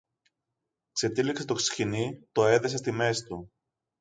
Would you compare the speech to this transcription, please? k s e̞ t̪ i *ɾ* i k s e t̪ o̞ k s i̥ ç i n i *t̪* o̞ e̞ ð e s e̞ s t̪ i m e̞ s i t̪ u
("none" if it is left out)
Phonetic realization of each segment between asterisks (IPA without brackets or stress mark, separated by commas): l, t̪